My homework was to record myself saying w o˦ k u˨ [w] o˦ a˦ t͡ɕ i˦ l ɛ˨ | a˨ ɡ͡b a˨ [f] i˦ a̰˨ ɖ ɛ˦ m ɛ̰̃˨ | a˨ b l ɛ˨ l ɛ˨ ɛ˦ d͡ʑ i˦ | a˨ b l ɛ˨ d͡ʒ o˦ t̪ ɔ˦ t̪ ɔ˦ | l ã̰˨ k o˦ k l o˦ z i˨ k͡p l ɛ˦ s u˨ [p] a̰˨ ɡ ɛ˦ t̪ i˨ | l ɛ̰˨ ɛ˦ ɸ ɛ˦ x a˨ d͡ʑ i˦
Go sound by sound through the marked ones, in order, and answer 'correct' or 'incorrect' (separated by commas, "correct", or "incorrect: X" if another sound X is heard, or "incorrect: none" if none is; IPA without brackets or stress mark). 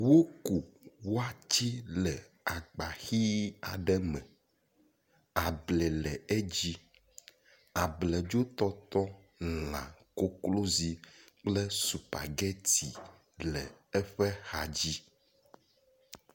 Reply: correct, incorrect: x, correct